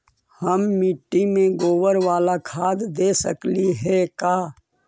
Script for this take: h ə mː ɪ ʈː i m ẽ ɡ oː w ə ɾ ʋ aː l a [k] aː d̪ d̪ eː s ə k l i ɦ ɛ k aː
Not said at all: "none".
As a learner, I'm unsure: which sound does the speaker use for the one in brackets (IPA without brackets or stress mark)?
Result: kʰ